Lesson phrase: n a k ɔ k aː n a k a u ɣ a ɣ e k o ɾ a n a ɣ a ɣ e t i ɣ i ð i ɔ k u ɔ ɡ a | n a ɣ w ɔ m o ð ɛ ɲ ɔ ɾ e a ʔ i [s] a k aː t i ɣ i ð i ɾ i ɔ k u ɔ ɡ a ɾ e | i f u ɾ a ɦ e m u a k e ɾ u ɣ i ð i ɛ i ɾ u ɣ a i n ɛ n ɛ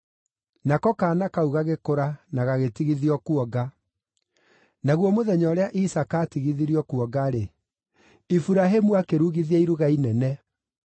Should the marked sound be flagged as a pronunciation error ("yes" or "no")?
no